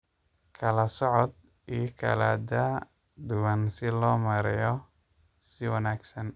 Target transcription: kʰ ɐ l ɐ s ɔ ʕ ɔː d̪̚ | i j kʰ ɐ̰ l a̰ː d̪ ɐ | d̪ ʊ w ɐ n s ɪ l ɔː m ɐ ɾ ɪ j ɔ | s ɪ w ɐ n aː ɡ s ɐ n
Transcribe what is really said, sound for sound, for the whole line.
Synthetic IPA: kʰ ɐ l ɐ s ɔ ʕ ɔ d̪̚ | i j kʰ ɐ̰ l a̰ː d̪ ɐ | d̪ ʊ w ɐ n s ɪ l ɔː m ɐ ɾ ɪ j ɔ | s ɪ w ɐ n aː ɡ s ɐ n